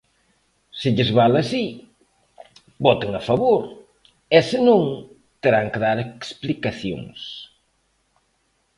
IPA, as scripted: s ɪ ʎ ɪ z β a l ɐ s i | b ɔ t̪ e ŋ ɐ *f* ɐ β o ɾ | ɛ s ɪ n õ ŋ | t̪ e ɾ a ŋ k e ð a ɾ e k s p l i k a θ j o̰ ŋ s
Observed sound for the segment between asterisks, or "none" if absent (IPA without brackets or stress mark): f